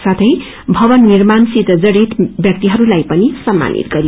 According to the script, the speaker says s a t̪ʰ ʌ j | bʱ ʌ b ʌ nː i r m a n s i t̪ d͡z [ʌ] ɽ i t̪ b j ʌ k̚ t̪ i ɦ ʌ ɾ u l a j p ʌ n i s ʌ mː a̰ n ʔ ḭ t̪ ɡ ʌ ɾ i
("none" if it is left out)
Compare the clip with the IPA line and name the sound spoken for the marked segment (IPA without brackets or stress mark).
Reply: ʌ